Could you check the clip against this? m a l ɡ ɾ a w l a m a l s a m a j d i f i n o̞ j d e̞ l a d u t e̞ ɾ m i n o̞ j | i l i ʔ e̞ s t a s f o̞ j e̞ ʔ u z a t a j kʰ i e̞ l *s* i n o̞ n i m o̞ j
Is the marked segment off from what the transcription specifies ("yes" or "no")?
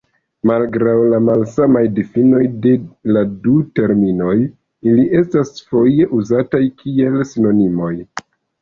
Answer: no